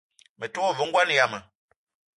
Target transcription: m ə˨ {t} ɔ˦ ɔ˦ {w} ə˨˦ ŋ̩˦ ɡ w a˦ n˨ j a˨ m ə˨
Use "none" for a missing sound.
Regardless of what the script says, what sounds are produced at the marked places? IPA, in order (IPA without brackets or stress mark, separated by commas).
t, v